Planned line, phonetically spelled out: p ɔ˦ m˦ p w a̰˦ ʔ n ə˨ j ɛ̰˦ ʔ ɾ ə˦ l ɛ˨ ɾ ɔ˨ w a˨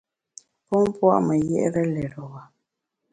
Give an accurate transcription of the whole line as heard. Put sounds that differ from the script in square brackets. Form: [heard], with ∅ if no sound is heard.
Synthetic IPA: p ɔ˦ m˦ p w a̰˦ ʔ [m] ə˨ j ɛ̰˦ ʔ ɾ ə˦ l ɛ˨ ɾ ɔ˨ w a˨